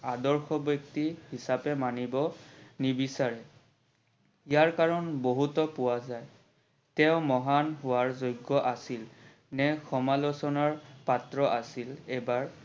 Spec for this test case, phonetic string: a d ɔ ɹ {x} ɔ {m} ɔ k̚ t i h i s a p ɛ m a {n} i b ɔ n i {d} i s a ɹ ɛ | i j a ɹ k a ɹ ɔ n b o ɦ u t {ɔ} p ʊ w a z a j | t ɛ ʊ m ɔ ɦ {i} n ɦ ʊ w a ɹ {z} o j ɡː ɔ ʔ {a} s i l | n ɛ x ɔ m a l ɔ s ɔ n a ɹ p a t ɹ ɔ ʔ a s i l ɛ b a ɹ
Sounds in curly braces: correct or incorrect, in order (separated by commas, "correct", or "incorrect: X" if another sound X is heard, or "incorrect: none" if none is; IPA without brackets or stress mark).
correct, incorrect: b, correct, incorrect: b, correct, incorrect: a, correct, correct